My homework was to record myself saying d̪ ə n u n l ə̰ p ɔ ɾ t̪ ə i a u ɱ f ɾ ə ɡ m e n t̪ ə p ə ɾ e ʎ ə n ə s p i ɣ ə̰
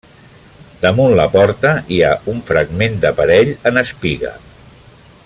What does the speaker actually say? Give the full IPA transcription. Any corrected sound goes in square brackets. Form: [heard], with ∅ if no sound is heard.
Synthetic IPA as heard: d̪ ə [m] u n l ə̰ p ɔ ɾ t̪ ə i a u ɱ f ɾ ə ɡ m e n [d̪] ə p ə ɾ [ɛ] ʎ ə n ə s p i ɣ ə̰